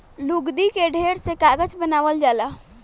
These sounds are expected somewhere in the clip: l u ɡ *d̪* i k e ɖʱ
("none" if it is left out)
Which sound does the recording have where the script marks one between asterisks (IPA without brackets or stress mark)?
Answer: d̪